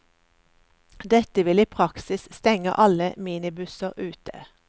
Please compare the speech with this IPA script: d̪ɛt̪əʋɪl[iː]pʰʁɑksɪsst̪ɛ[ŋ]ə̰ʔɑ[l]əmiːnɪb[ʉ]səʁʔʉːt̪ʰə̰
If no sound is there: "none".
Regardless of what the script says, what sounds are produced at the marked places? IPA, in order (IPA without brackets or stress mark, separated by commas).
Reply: iː, ŋ, l, ʉ